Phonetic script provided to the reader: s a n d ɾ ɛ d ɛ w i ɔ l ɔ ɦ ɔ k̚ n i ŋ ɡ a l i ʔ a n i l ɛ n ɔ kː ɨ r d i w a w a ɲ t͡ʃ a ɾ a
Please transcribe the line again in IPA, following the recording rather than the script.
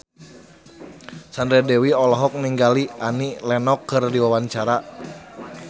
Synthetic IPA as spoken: s a n d ɾ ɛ d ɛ w i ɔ l ɔ ɦ ɔ k̚ n i ŋ ɡ a l i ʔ a n i l ɛ n ɔ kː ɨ r d i w a w a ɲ t͡ʃ a ɾ a